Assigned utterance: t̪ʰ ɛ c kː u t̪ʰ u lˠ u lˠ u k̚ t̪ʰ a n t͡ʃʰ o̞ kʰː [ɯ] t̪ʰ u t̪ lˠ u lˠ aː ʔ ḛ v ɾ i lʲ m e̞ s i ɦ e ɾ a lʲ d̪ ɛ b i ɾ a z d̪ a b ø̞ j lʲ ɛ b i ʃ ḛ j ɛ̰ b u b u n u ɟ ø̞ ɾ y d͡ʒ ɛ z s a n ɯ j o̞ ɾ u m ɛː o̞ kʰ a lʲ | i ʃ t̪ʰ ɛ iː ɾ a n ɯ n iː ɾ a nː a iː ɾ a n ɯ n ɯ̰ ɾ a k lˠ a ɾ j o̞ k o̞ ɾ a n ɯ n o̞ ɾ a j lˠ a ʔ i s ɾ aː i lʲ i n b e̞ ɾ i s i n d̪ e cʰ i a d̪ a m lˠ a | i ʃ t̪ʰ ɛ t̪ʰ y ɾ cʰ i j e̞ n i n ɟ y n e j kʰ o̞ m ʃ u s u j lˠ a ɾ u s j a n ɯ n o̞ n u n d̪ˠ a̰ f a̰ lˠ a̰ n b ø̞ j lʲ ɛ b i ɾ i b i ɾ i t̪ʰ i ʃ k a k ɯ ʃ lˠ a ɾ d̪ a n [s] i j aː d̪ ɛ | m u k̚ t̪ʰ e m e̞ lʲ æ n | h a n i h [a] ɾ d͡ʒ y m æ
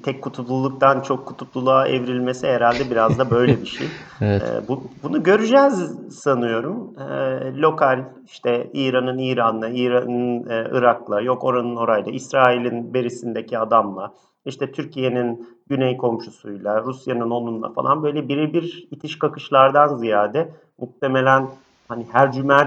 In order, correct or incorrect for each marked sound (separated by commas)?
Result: incorrect, incorrect, incorrect